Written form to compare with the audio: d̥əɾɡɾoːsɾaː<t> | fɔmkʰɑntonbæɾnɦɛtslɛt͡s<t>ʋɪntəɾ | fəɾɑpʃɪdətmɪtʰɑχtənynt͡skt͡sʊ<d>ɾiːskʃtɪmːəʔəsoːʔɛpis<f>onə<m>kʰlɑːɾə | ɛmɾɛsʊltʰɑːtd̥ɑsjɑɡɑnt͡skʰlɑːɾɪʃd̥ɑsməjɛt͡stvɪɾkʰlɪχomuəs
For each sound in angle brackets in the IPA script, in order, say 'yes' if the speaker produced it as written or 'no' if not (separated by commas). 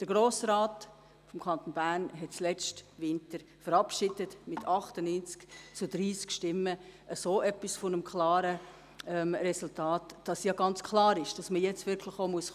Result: yes, yes, yes, yes, yes